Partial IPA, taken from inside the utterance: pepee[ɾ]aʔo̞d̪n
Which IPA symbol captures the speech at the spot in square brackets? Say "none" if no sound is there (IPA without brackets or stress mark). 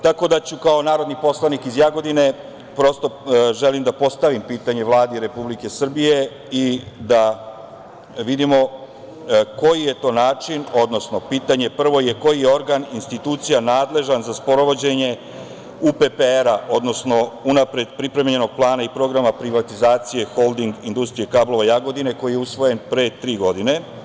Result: ɾ